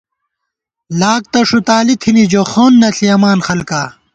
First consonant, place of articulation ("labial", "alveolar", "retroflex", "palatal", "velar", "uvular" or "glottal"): alveolar